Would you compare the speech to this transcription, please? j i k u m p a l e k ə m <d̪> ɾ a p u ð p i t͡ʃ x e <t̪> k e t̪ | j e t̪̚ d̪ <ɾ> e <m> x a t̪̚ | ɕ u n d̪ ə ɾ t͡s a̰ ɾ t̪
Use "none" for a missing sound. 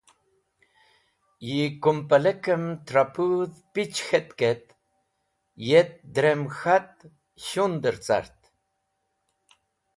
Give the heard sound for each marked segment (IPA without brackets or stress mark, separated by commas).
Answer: t̪, t̪, ɾ, m